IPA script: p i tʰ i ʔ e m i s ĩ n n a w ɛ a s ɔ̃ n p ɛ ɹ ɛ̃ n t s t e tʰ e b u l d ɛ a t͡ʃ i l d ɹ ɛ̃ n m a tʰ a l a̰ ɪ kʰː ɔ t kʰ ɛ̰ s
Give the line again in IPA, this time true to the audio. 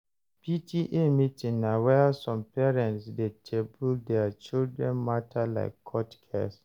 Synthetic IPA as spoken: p i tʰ i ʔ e m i t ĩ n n a w ɛ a s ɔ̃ m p ɛ ɹ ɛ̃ n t s d e tʰ e b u l d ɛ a t͡ʃ i l d ɹ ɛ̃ n m a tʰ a l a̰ ɪ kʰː ɔ t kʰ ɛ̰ s